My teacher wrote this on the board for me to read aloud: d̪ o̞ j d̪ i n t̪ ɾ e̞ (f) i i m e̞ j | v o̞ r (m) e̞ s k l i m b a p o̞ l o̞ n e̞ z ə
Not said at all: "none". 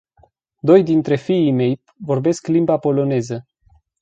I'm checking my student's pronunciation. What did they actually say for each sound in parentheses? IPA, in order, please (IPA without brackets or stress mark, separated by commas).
f, b